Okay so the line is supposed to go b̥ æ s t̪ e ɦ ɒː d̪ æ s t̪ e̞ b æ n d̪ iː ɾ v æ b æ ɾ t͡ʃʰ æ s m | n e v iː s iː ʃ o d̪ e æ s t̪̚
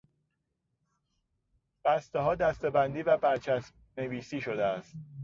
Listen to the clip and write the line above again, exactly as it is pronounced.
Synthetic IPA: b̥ æ s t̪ e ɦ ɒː d̪ æ s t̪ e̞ b æ n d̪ iː v æ b æ ɾ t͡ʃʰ æ s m | n e v iː s iː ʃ o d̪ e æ s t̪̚